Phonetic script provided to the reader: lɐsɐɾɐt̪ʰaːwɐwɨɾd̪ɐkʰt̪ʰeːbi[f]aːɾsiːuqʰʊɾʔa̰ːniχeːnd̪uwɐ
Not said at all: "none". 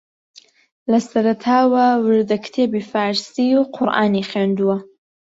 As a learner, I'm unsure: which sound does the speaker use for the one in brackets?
f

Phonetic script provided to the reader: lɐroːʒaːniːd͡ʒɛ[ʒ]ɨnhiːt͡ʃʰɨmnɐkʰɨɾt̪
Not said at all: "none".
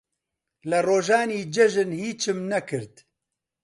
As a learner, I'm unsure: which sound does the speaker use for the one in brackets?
ʒ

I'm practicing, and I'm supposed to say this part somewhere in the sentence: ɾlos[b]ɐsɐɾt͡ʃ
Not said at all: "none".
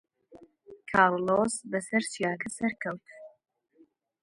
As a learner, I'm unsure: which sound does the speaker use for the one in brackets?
b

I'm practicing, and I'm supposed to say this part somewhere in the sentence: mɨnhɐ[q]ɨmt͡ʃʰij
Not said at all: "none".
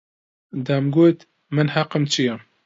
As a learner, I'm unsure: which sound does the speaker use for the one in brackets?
q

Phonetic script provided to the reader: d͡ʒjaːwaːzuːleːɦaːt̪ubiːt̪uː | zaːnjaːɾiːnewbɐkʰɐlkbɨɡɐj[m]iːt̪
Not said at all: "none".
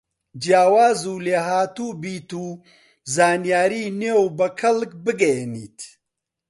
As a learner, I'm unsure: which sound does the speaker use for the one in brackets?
n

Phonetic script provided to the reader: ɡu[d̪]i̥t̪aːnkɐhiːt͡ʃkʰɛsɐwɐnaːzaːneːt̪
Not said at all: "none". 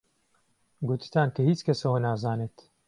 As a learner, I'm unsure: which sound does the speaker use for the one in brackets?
t̪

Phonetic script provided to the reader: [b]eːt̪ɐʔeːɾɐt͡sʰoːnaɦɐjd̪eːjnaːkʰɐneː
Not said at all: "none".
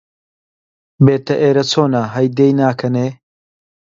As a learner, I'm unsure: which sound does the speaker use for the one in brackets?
b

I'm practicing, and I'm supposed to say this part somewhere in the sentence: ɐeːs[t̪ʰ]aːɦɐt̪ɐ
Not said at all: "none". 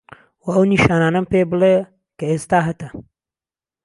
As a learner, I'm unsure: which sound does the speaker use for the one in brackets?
t̪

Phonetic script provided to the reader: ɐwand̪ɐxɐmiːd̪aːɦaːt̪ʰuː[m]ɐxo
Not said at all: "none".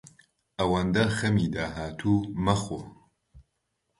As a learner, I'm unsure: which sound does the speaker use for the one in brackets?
m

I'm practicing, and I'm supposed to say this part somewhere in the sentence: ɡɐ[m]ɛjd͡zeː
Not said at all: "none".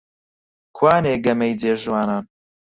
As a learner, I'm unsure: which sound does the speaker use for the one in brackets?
m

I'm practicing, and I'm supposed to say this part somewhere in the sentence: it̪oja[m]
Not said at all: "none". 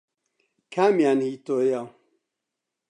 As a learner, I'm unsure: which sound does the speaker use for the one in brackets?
none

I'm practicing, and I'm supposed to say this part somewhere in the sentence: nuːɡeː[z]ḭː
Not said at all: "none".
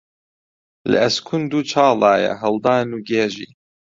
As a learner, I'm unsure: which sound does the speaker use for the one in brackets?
ʒ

